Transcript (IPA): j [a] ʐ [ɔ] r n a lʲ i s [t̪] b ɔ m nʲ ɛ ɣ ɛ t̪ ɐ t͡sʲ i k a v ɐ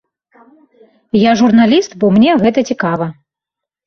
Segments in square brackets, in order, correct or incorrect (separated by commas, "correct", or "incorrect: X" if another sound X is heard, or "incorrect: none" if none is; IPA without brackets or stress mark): correct, incorrect: u, correct